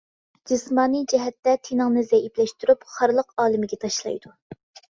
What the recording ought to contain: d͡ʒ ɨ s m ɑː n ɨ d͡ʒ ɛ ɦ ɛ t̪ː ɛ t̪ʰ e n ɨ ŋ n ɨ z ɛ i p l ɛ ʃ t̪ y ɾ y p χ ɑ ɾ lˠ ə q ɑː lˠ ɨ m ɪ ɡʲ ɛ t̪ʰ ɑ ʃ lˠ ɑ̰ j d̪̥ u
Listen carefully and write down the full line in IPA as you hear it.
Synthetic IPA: d͡ʒ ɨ s m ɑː n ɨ d͡ʒ ɛ ɦ ɛ t̪ː ɛ t̪ʰ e n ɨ ŋ n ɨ z ɛ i p l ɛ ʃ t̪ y ɾ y p χ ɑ ɾ lˠ ə q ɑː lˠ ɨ m ɪ ɡʲ ɛ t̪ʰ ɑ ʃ lˠ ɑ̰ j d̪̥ u